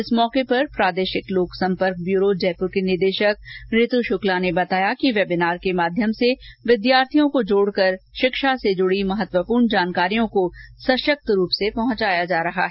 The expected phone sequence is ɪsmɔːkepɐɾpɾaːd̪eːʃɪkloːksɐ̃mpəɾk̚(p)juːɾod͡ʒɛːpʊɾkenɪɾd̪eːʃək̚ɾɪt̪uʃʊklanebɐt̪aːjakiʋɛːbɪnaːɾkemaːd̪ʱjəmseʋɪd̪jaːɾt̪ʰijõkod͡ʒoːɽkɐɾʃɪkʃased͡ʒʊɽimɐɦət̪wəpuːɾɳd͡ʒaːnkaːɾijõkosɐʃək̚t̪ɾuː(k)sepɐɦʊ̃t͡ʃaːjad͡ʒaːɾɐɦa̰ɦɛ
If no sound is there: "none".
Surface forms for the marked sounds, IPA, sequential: b, p

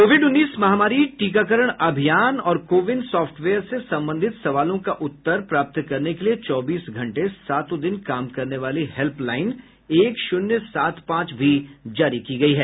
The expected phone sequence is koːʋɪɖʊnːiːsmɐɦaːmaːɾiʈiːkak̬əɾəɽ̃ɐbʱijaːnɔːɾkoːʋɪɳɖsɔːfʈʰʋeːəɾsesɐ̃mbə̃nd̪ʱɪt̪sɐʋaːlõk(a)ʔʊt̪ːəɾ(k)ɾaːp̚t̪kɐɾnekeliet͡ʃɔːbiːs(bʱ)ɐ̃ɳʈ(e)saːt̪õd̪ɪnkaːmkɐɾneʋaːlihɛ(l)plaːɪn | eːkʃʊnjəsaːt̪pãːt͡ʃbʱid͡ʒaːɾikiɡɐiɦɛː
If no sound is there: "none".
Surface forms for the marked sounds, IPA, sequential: a, p, ɡʱ, e, l

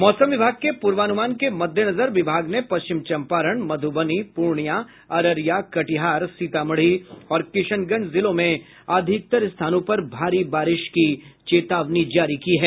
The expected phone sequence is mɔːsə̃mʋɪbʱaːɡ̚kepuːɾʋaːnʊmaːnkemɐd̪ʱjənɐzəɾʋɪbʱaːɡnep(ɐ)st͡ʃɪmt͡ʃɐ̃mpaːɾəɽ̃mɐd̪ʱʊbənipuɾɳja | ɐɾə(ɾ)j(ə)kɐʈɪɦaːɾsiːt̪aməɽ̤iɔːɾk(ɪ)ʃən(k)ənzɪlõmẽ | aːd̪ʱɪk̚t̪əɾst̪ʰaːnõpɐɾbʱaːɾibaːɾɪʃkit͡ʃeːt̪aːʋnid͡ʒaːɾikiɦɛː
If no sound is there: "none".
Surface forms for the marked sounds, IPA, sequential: ɐ, ɾ, a, ɪ, ɡ

